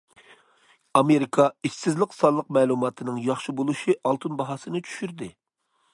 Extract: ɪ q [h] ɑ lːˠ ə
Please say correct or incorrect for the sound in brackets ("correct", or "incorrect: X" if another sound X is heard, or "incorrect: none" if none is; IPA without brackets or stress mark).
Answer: incorrect: s